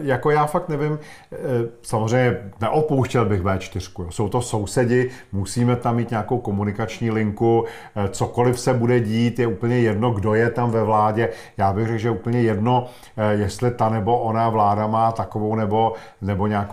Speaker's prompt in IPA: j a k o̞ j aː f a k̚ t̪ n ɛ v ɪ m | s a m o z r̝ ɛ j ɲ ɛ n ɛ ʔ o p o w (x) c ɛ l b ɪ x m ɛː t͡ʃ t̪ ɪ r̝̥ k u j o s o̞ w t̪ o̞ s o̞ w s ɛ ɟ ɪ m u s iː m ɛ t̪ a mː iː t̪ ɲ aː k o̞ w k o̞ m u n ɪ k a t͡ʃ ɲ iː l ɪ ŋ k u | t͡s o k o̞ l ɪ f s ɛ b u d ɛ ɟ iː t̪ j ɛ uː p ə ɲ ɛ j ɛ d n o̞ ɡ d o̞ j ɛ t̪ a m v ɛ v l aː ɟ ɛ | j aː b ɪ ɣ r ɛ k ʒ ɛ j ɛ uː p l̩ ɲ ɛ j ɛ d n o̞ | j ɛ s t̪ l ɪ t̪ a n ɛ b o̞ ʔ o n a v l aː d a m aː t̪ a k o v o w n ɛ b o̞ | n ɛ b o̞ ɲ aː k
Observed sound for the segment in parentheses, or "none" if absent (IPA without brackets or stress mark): ʃ